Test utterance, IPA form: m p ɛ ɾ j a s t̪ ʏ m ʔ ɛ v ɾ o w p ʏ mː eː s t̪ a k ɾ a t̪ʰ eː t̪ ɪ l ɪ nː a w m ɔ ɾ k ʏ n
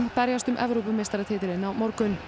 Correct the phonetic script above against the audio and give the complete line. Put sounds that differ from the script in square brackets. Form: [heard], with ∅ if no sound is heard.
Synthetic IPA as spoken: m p ɛ ɾ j a s t̪ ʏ m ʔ ɛ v ɾ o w p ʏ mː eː s t̪ a [∅] ɾ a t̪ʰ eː t̪ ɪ [ɾ] ɪ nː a w m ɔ ɾ k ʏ n